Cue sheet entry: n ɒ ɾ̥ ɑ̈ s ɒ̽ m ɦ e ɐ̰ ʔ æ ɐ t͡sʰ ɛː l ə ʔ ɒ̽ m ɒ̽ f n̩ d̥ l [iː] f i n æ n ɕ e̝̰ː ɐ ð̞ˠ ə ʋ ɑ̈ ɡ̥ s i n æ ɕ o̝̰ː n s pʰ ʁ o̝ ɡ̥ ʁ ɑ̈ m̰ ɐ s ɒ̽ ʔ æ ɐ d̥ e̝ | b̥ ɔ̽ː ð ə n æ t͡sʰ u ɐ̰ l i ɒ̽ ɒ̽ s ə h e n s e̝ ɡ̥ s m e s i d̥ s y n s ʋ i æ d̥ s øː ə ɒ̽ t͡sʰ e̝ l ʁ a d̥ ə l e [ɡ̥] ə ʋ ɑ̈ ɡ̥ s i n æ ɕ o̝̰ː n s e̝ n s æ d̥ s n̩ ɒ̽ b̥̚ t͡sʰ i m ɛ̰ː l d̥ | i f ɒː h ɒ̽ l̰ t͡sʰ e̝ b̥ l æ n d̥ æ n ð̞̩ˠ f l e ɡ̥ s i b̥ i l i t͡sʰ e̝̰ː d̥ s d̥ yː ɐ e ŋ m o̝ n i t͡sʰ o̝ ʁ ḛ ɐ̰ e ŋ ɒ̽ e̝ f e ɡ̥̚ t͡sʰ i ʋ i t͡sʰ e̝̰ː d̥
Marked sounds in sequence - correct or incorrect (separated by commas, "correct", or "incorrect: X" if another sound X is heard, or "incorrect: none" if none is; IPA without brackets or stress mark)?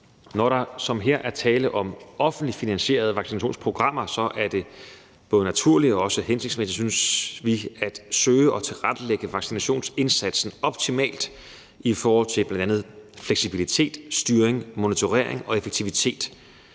incorrect: i, correct